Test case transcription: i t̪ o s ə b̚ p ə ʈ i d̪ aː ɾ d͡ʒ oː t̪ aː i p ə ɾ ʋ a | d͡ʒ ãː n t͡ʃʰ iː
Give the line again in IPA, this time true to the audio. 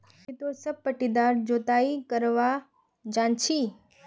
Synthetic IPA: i t̪ o s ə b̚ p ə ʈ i d̪ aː ɾ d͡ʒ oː t̪ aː i k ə ɾ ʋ a | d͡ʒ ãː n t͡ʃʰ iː